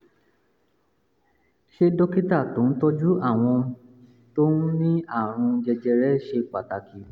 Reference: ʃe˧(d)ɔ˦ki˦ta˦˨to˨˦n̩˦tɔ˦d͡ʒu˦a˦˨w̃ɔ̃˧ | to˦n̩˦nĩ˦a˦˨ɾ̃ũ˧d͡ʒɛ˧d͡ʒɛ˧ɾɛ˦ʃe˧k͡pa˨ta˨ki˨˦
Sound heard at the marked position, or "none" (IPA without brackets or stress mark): d